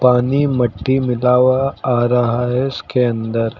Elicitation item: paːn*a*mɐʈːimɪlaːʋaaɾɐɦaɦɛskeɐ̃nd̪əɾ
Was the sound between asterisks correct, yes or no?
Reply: no